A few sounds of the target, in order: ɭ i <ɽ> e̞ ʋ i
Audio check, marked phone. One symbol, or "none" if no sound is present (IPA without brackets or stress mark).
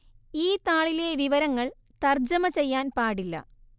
l